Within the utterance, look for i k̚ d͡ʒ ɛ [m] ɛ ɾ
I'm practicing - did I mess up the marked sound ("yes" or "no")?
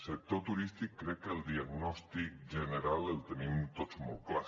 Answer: yes